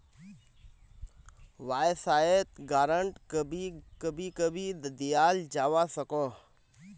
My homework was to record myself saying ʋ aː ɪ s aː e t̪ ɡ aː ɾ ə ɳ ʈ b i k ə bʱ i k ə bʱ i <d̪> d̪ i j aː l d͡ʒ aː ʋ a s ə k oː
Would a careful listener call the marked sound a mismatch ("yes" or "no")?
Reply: no